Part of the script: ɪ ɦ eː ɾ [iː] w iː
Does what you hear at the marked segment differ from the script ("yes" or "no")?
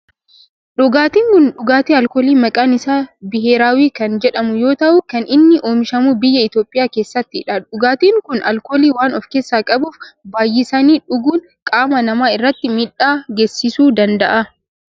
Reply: yes